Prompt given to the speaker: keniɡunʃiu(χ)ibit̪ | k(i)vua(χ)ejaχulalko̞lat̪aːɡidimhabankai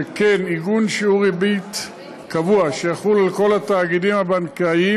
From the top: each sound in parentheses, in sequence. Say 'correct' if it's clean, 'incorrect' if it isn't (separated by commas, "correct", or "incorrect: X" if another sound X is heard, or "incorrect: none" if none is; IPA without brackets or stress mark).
incorrect: ʁ, incorrect: a, incorrect: ʃ